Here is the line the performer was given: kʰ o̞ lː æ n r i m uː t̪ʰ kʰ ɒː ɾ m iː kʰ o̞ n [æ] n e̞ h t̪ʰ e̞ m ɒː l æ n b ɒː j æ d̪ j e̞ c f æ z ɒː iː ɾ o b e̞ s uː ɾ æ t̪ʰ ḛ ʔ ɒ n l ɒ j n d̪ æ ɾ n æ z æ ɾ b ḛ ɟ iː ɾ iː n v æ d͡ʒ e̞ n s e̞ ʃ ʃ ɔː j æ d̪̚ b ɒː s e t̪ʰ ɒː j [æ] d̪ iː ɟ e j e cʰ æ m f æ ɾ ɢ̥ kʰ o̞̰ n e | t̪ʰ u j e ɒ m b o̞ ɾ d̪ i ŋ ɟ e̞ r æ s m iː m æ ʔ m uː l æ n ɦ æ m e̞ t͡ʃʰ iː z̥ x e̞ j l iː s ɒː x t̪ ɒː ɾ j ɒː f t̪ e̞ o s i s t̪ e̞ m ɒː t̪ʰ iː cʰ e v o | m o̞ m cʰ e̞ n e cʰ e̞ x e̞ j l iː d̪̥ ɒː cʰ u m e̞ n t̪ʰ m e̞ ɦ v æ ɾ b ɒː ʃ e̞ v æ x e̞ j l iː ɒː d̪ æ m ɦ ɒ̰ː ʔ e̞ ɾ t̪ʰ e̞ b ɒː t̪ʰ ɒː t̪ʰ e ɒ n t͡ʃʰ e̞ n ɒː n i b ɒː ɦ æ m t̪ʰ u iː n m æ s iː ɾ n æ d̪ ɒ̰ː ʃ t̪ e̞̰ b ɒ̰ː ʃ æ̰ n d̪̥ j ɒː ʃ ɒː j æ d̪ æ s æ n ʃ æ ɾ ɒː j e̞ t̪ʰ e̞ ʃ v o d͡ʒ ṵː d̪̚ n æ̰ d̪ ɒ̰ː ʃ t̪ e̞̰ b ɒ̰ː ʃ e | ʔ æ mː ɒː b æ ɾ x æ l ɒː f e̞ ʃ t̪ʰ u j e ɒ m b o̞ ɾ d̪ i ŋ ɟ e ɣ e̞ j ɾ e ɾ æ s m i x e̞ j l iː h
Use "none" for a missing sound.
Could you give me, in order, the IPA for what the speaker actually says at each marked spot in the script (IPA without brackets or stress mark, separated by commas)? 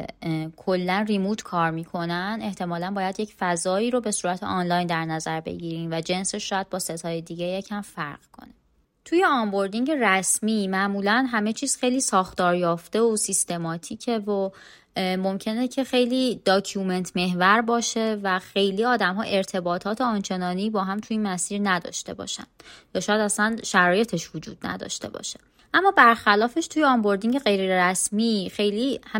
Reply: æ, e